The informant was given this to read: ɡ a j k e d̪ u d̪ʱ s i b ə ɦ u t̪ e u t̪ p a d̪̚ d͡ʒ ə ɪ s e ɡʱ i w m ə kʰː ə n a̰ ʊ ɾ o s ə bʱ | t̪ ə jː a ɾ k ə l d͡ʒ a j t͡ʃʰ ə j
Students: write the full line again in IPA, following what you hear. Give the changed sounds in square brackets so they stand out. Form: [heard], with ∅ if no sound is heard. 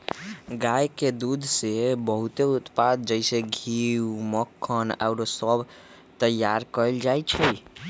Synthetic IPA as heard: ɡ a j k e d̪ u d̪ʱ s [e] b ə ɦ u t̪ e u t̪ p a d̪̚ d͡ʒ ə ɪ s e ɡʱ i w m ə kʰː ə n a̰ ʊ ɾ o s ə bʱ | t̪ ə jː a ɾ k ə l d͡ʒ a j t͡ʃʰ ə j